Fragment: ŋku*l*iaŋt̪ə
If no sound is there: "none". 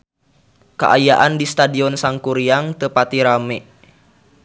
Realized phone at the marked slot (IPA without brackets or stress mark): ɾ